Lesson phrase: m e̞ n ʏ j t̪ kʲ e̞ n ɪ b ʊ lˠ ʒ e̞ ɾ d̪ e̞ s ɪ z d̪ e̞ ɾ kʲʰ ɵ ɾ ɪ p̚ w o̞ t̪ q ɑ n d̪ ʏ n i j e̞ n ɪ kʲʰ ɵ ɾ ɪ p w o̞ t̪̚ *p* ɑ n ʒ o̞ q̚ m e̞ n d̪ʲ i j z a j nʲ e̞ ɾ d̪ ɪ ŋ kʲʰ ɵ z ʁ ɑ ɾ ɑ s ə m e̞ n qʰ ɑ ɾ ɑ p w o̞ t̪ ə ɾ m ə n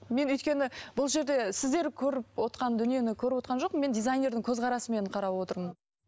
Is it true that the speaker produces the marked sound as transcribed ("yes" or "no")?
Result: no